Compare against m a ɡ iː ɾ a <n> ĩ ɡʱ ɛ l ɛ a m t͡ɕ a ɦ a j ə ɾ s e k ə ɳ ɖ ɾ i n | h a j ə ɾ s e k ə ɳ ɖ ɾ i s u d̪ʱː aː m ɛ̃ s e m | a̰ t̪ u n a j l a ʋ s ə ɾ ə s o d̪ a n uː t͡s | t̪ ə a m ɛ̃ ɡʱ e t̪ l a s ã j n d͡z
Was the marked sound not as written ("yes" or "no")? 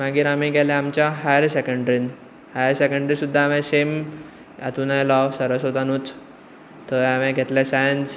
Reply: yes